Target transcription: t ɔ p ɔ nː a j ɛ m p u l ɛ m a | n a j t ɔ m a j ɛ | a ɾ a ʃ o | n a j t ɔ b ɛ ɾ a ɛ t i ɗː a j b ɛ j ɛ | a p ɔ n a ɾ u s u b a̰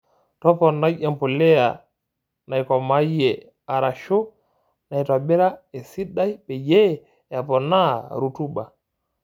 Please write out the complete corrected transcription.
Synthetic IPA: t ɔ p ɔ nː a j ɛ m p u l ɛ a | n a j k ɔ m a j ɛ | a ɾ a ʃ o | n a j t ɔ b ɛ ɾ a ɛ s i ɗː a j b ɛ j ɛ | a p ɔ n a ɾ u t u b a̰

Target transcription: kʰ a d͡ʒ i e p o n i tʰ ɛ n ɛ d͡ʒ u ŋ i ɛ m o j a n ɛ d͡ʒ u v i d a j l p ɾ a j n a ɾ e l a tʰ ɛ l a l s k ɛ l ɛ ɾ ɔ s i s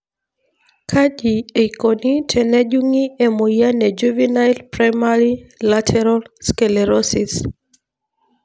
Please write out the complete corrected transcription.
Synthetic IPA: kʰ a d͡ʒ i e k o n i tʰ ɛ n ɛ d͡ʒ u ŋ i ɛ m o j a n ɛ d͡ʒ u v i n a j l p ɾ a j m a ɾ i l a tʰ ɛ ɾ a l s k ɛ l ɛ ɾ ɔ s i s

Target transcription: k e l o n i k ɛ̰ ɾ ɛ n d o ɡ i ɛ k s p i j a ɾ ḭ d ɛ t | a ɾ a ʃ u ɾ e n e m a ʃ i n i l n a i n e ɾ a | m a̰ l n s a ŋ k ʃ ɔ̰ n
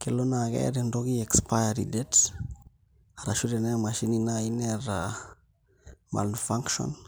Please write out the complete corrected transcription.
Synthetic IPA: k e l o n a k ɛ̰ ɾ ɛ n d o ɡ i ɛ k s p a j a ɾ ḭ d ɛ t | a ɾ a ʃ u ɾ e n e m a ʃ i n i n a i n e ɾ a | m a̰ l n f a ŋ k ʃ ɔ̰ n

